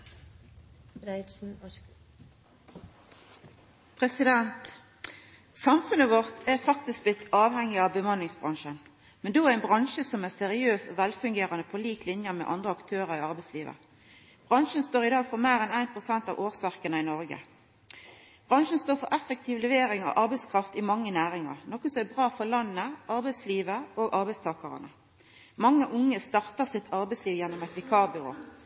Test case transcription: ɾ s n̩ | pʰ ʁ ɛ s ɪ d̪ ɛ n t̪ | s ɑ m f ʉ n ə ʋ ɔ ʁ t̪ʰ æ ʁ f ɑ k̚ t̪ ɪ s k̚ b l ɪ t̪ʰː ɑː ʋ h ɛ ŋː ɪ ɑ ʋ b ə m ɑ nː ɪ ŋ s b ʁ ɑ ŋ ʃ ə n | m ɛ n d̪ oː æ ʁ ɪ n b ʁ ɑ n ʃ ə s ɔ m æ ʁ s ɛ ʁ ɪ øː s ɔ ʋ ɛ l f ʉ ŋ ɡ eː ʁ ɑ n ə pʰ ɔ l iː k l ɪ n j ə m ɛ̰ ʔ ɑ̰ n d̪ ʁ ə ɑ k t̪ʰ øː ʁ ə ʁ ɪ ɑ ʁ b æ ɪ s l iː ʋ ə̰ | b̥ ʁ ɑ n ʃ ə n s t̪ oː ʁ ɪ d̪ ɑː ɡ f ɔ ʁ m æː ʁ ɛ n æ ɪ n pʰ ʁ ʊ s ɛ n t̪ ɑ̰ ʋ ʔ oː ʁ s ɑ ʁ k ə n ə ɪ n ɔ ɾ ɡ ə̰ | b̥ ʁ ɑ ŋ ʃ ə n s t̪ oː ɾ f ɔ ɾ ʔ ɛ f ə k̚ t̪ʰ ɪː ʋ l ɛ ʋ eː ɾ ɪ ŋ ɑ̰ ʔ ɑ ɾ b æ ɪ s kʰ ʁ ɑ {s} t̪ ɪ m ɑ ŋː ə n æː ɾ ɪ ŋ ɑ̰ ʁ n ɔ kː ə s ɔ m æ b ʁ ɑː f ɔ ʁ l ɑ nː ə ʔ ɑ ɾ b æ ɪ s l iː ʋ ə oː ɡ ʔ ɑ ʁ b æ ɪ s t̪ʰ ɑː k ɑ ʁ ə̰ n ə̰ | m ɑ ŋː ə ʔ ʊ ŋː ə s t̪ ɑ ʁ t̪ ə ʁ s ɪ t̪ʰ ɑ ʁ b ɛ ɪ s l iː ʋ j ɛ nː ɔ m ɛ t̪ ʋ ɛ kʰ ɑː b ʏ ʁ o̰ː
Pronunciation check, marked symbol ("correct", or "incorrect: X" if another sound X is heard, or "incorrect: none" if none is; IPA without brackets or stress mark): incorrect: f